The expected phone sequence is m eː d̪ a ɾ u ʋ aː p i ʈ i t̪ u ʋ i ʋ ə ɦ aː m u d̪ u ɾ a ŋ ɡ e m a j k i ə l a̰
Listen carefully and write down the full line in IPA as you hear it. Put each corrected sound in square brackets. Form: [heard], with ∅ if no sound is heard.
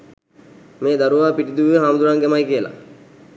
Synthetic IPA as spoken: m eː d̪ a ɾ u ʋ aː p i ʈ i [d̪] u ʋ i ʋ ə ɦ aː m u d̪ u ɾ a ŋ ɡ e m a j k i ə l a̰